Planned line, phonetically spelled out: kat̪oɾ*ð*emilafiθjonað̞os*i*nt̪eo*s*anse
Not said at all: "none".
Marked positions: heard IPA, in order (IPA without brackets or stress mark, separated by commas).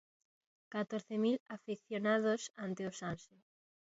θ, a, s